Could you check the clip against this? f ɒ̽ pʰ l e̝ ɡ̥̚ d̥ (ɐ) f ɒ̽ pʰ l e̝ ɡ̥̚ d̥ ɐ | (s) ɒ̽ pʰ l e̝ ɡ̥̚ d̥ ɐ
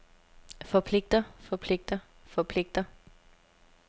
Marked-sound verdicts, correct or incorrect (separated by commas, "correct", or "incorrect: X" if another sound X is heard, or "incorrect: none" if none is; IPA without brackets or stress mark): correct, incorrect: f